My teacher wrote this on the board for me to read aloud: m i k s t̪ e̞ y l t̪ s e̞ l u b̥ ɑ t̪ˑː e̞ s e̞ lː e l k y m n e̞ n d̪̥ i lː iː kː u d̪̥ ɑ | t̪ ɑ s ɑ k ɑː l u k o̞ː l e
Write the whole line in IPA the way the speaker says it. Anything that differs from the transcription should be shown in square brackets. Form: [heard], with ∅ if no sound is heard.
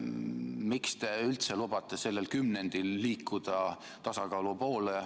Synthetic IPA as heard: m i k s t̪ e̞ y l t̪ s e̞ l u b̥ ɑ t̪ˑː e̞ s e̞ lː e l k y m n e̞ n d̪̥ i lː iː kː u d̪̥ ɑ | t̪ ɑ s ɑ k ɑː l u [p] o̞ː l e